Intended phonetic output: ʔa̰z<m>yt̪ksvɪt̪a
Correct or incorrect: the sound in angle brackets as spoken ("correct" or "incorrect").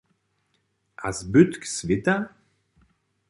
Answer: incorrect